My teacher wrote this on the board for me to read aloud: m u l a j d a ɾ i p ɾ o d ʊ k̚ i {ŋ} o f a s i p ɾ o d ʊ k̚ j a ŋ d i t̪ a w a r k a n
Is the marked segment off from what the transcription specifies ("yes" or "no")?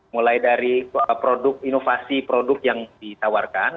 yes